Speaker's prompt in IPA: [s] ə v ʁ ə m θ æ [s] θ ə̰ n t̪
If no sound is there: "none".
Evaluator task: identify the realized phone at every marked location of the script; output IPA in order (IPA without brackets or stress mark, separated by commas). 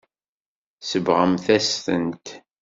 s, s